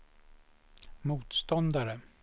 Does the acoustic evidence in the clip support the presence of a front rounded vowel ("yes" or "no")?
no